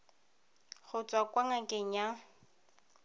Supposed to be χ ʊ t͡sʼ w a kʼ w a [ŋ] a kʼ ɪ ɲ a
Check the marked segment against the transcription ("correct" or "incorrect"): correct